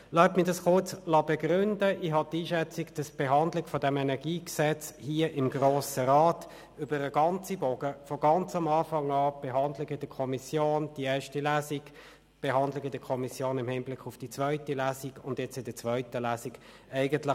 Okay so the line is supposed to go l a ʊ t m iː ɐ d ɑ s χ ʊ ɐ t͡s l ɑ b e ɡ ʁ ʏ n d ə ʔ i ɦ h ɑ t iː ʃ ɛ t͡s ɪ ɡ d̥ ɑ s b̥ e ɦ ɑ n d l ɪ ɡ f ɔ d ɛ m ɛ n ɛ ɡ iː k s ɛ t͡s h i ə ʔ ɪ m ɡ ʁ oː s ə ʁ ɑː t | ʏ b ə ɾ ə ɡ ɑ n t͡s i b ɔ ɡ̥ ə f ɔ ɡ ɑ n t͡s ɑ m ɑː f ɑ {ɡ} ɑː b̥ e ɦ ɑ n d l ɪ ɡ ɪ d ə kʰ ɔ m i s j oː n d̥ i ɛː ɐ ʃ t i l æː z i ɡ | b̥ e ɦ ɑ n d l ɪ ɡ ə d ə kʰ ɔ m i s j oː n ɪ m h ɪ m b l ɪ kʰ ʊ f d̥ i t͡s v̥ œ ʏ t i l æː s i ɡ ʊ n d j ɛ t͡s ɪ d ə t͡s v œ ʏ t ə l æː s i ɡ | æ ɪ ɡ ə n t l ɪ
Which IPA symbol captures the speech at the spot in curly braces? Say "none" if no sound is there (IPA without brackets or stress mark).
ŋ